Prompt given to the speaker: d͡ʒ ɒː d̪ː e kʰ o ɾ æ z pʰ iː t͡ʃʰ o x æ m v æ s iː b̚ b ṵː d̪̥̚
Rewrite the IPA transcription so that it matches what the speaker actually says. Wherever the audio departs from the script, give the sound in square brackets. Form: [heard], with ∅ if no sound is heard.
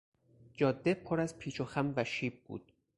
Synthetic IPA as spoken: d͡ʒ ɒː d̪ː e [pʰ] o ɾ æ z pʰ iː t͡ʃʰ o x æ m v æ [ʃ] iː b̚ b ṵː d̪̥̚